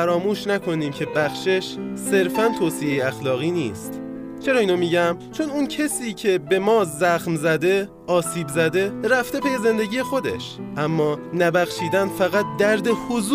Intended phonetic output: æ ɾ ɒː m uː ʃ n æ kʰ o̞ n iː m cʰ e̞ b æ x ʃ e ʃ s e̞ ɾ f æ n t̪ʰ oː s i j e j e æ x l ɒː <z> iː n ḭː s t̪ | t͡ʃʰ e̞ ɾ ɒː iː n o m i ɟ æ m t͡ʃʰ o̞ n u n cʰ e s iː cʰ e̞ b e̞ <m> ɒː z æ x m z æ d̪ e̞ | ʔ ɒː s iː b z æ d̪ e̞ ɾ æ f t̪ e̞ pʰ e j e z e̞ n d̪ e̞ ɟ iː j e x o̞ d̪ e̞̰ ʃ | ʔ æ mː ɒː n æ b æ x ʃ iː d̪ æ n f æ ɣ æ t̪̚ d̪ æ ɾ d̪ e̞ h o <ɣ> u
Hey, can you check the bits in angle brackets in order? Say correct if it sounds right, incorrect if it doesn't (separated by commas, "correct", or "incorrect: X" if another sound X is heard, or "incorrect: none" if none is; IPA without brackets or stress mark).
incorrect: ɣ, correct, incorrect: z